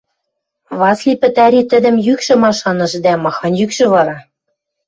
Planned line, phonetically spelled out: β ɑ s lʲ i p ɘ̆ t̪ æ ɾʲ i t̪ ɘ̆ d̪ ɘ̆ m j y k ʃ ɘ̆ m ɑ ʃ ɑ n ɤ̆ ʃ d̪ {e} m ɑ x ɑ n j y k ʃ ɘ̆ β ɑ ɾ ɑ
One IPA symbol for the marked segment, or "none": æ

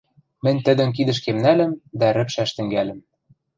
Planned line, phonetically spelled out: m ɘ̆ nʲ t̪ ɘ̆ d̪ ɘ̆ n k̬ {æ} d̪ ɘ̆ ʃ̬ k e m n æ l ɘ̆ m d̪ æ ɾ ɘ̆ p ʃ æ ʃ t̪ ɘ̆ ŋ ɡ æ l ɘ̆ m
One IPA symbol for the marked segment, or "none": i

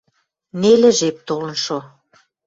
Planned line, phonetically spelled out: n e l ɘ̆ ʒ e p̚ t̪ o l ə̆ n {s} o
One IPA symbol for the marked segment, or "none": ʃ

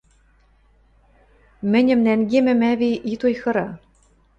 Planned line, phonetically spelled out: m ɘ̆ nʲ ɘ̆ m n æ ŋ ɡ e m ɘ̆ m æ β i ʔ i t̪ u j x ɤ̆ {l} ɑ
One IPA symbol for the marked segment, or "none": ɾ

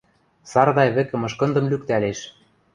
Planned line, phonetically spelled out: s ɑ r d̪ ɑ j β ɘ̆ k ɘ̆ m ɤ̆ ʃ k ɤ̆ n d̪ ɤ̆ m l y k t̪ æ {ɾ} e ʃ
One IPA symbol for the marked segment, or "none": l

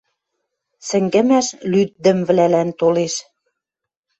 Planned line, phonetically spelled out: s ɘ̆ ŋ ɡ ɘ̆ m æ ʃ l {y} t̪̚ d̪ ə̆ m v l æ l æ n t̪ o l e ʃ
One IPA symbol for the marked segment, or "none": y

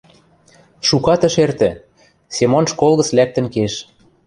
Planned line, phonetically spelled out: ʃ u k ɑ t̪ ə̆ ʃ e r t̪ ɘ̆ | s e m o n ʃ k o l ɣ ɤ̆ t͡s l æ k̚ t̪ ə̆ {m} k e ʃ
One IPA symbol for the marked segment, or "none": n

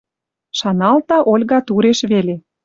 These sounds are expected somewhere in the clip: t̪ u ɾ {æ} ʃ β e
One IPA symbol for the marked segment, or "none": e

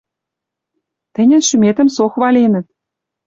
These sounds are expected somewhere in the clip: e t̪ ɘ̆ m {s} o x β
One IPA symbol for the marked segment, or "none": s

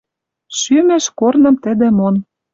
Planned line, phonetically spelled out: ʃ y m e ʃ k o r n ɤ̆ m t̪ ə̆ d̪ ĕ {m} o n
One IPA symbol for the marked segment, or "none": m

